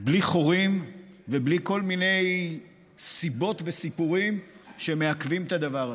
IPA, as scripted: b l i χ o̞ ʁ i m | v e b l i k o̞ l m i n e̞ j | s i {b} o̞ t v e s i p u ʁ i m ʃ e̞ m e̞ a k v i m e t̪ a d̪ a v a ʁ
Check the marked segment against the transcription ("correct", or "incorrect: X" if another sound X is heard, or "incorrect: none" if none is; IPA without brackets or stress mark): correct